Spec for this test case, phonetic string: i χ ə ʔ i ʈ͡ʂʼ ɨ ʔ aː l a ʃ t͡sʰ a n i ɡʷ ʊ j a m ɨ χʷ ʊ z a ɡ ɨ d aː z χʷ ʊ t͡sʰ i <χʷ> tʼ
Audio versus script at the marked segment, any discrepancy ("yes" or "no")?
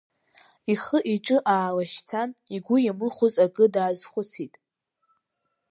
yes